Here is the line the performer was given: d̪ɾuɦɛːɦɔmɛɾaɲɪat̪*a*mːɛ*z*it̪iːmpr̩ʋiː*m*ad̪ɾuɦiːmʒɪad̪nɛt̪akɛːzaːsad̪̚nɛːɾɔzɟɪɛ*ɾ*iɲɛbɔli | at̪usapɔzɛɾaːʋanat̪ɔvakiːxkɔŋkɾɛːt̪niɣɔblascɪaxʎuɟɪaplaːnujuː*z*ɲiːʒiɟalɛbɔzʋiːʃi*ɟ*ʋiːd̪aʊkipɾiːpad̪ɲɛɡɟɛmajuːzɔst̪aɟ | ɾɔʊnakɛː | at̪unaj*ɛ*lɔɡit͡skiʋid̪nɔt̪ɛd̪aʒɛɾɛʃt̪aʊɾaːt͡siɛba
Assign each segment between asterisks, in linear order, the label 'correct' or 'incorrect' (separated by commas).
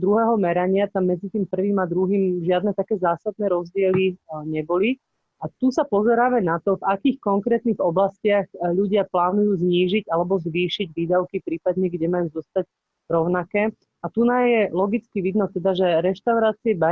correct, incorrect, correct, incorrect, correct, correct, correct